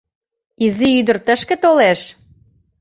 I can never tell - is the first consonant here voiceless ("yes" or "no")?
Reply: no